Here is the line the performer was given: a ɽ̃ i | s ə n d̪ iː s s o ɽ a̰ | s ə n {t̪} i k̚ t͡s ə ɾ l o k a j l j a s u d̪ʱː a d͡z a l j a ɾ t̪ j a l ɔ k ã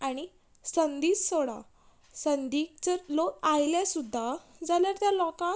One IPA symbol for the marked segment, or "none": d̪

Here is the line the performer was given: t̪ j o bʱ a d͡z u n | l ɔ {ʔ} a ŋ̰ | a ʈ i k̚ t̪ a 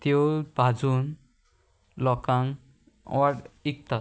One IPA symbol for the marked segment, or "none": k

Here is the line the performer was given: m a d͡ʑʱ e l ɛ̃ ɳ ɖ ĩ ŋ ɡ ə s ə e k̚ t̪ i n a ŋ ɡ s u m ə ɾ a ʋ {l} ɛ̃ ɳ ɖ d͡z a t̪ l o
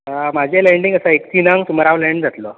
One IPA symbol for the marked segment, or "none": l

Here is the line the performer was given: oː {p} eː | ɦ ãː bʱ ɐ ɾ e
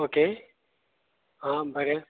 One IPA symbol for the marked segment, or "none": k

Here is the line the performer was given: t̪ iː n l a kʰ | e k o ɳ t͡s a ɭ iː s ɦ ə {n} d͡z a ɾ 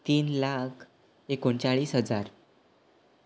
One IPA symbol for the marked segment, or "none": none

